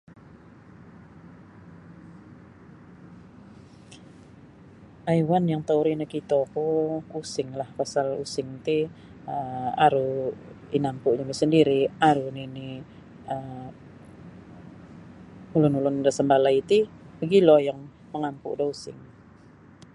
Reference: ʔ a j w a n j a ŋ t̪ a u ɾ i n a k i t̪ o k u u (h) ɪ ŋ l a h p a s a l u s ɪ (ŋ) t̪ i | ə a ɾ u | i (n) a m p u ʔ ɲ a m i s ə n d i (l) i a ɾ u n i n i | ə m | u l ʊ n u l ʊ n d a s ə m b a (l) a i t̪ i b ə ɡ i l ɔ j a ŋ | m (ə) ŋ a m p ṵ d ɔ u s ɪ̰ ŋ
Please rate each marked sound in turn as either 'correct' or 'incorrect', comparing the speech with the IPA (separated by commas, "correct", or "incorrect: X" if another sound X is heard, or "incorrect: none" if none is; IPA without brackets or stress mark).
incorrect: s, correct, correct, incorrect: ɾ, correct, correct